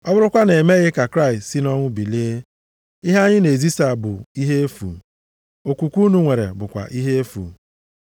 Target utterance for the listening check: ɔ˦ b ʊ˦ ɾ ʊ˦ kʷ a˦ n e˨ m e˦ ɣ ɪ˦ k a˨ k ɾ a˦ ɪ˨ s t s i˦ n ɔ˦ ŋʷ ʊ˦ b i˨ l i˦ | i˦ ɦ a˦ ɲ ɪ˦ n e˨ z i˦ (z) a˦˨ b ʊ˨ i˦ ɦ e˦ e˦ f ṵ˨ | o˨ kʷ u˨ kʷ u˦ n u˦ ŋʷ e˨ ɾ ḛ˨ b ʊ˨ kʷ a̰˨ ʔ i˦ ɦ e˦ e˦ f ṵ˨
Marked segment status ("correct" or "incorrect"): incorrect